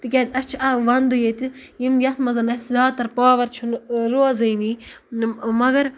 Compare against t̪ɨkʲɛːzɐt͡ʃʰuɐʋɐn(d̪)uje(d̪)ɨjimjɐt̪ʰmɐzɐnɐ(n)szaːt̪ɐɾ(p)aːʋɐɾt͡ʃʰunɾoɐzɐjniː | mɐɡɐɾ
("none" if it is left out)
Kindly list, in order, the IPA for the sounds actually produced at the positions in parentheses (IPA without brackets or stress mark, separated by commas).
d̪, t̪, none, p